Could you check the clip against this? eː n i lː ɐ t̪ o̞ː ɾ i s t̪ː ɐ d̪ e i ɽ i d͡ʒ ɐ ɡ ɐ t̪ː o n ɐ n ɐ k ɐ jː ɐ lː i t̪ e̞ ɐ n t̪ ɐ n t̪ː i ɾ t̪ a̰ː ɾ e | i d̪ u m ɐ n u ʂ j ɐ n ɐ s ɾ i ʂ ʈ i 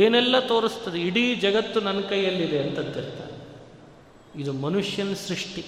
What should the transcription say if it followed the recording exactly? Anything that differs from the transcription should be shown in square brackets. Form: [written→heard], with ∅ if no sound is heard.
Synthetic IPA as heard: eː n [i→ɛ] lː ɐ t̪ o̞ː ɾ i s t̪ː ɐ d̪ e i ɽ i d͡ʒ ɐ ɡ ɐ t̪ː [o→u] n ɐ n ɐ k ɐ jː ɐ lː i [t̪→d̪] e̞ ɐ n t̪ ɐ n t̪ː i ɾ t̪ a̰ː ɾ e | i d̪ u m ɐ n u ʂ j ɐ n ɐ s ɾ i ʂ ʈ i